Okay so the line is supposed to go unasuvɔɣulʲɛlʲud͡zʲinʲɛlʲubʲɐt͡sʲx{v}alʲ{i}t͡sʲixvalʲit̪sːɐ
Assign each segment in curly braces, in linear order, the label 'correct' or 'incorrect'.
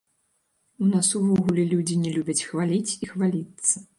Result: correct, correct

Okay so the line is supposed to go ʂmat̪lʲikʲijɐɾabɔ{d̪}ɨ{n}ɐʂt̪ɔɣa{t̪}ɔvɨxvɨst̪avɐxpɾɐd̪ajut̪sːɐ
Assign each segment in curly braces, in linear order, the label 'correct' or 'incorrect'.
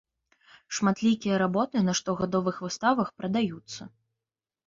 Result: incorrect: t̪, correct, incorrect: d̪

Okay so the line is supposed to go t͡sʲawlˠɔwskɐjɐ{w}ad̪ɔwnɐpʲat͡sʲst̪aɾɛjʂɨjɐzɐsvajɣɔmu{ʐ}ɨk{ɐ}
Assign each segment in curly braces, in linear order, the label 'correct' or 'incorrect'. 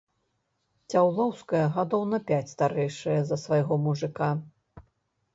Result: incorrect: ɣ, correct, incorrect: a

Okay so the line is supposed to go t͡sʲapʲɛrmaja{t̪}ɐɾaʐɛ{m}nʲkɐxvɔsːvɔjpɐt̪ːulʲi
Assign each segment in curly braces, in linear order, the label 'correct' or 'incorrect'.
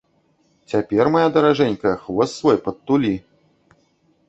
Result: incorrect: d̪, incorrect: none

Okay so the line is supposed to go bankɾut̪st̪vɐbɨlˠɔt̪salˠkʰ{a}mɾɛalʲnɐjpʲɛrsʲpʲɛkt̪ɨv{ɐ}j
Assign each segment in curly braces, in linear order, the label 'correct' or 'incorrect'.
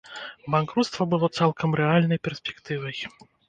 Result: incorrect: ɐ, correct

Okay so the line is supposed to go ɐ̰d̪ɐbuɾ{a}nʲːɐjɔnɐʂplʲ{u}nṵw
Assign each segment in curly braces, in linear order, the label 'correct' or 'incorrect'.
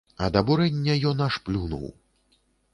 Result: incorrect: ɛ, correct

